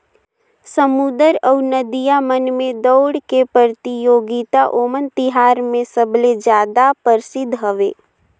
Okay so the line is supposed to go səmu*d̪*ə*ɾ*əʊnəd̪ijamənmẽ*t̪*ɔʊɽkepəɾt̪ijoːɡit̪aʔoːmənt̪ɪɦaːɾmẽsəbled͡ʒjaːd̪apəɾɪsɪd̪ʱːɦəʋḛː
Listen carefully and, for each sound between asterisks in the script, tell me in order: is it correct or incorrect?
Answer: correct, correct, incorrect

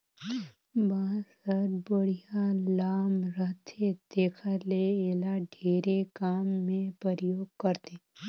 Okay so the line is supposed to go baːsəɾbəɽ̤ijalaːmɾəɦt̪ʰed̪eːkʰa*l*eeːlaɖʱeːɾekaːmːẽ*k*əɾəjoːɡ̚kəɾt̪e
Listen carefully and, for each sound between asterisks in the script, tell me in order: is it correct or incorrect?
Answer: correct, incorrect

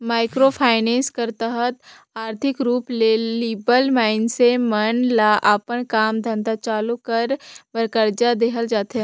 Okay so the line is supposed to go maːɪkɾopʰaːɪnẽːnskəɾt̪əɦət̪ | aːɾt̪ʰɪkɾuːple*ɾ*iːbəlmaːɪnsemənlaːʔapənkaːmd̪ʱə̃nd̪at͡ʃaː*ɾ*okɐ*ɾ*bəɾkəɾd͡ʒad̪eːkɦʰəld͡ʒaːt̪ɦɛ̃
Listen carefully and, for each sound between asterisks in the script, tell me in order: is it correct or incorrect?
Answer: incorrect, incorrect, correct

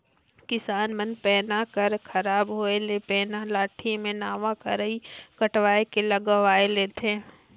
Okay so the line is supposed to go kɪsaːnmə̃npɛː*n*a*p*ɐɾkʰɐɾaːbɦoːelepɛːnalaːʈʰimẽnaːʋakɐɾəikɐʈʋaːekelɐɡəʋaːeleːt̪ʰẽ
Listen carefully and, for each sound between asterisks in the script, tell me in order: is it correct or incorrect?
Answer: correct, incorrect

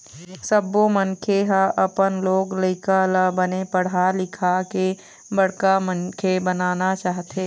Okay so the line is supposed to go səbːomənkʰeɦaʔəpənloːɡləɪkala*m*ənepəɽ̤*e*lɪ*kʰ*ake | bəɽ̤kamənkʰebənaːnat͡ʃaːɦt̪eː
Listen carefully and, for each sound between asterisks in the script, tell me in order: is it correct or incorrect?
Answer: incorrect, incorrect, correct

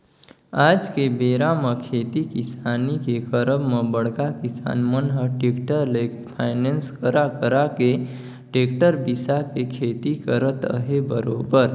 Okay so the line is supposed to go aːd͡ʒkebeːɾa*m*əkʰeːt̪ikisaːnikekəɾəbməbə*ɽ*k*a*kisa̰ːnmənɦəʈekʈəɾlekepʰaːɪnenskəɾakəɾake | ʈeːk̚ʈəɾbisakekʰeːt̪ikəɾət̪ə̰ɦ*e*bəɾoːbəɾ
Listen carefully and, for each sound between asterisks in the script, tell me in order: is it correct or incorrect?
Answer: correct, correct, correct, correct

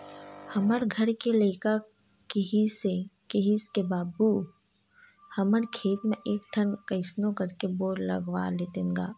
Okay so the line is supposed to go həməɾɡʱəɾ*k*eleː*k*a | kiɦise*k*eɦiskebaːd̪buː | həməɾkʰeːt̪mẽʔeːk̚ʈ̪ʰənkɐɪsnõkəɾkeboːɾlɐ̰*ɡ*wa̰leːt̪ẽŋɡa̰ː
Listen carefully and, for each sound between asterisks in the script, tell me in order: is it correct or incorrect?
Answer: correct, correct, correct, correct

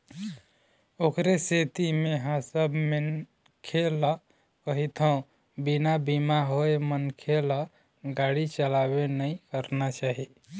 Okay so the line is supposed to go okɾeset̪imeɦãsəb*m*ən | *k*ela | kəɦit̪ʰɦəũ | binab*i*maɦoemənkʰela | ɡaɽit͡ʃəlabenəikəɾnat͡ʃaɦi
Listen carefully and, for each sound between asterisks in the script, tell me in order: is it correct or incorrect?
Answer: correct, incorrect, correct

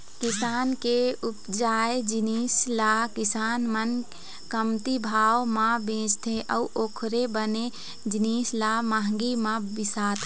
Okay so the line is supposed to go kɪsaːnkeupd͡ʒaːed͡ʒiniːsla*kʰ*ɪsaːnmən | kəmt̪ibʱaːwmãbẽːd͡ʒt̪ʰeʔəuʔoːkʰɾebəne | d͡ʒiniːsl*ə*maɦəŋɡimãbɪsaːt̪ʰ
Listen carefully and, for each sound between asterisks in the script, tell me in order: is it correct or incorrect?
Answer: incorrect, incorrect

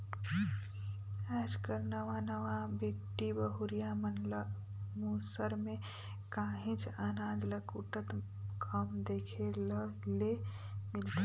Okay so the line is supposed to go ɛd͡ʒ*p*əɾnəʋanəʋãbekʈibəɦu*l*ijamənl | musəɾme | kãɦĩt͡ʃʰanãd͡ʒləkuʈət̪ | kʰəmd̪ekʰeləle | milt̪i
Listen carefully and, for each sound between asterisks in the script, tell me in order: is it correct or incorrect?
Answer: incorrect, incorrect

